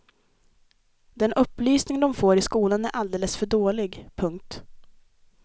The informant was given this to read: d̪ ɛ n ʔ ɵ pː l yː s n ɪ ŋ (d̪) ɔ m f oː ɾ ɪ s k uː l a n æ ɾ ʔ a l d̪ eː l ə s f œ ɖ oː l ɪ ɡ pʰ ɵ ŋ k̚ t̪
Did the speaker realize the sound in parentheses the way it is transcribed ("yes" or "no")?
yes